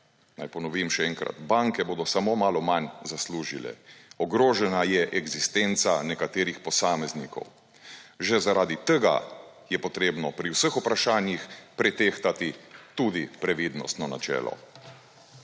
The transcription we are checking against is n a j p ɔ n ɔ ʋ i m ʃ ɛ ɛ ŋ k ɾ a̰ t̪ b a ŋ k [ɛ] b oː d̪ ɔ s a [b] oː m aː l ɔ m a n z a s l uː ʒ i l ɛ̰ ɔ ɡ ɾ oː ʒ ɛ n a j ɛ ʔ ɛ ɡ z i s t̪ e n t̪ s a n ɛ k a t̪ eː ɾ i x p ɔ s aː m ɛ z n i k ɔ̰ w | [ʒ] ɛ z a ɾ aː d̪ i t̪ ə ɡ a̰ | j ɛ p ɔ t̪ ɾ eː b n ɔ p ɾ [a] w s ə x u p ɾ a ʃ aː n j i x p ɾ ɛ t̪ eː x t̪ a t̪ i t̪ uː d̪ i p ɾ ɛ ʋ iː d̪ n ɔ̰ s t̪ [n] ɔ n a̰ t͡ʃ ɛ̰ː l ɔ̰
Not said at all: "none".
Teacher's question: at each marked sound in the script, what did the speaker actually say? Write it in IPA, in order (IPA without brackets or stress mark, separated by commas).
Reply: ɛ, m, ʒ, i, n